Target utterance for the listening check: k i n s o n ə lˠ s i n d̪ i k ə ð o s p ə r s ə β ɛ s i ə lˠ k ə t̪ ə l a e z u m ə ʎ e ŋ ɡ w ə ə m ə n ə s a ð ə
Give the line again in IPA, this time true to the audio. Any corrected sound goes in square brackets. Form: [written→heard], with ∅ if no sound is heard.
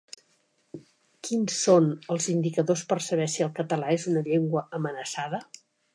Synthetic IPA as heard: k i n s o n ə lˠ [s→z] i n d̪ i k ə ð o s p ə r s ə β ɛ s i ə lˠ k ə t̪ ə l a e z u [m→n] ə ʎ e ŋ ɡ w ə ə m ə n ə s a ð ə